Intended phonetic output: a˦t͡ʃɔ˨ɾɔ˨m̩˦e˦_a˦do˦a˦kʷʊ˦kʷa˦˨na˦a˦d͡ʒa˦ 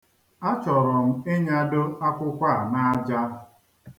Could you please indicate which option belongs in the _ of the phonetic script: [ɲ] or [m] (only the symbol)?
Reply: ɲ